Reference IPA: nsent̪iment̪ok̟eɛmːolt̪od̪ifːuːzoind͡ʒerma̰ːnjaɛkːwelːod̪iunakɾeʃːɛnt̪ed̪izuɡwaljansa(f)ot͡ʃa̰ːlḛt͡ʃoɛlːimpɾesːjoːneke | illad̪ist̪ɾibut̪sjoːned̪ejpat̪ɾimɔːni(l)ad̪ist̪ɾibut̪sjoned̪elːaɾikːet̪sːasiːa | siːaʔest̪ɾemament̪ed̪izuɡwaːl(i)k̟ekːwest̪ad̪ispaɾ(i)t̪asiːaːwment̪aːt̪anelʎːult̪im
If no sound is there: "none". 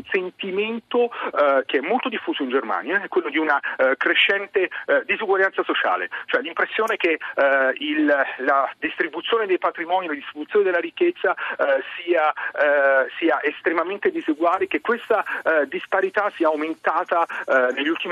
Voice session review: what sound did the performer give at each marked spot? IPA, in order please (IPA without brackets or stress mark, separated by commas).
s, l, e, i